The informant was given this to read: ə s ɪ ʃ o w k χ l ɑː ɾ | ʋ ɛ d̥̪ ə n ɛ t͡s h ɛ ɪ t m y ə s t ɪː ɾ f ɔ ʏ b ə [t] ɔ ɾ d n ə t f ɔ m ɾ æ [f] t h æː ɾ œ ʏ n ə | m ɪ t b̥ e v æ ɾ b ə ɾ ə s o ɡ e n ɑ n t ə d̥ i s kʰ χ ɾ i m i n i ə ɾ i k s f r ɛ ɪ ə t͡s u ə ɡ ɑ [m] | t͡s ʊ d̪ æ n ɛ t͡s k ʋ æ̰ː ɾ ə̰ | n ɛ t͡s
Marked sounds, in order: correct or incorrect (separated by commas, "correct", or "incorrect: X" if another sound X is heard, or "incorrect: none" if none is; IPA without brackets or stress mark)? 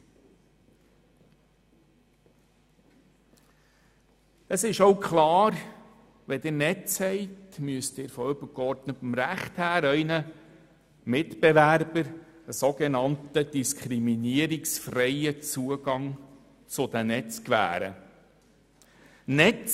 incorrect: k, incorrect: χ, incorrect: ŋ